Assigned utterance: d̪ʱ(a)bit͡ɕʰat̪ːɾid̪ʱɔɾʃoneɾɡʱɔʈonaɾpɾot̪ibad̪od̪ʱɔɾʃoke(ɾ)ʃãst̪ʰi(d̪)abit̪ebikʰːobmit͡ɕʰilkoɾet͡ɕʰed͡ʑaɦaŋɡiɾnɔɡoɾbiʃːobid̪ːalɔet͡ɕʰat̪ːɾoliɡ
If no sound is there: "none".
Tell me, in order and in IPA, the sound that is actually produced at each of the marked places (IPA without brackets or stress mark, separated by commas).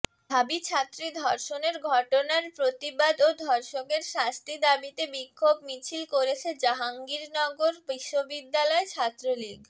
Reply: a, ɾ, d̪